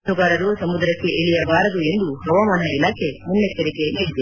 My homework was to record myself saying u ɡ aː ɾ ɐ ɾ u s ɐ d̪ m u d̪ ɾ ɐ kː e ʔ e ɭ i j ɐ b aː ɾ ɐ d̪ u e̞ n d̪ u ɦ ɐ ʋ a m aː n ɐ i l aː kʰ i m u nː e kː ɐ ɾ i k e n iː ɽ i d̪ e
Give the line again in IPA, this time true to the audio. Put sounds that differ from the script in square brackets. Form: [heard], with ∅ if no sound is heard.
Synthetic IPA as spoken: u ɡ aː ɾ ɐ ɾ u s ɐ [∅] m u d̪ ɾ ɐ kː e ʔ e ɭ i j ɐ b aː ɾ ɐ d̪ u e̞ n d̪ u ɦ ɐ ʋ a m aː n ɐ i l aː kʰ [e] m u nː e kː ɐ ɾ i k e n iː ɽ i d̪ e